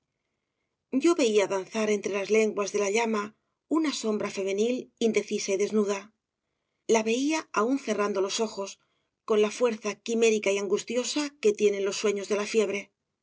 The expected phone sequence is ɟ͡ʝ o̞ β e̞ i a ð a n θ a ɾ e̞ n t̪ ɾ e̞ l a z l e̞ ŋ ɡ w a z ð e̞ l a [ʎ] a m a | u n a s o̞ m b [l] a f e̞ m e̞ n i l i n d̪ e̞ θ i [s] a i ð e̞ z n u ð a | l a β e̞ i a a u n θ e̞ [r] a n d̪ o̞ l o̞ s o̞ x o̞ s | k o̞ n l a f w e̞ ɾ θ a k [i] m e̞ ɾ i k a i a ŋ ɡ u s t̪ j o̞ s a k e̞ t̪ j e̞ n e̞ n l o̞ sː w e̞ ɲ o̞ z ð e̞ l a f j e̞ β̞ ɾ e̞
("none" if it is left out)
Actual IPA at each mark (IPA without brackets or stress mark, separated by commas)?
ʎ, ɾ, s, r, i